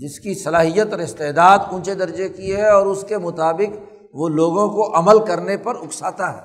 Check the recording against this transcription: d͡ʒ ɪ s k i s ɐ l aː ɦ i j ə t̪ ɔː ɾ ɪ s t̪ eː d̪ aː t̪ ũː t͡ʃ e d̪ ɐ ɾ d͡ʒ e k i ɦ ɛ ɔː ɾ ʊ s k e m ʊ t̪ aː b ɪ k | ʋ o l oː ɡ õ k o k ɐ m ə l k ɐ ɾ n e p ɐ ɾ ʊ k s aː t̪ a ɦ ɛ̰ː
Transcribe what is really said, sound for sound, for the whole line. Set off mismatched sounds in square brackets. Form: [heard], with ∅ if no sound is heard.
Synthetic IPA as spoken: d͡ʒ ɪ s k i s ɐ l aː ɦ i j ə t̪ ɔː ɾ ɪ s t̪ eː d̪ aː [d̪] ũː t͡ʃ e d̪ ɐ ɾ d͡ʒ e k i ɦ ɛ ɔː ɾ ʊ s k e m ʊ t̪ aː b ɪ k | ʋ o l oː ɡ õ k o [ʔ] ɐ m ə l k ɐ ɾ n e p ɐ ɾ ʊ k s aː t̪ a ɦ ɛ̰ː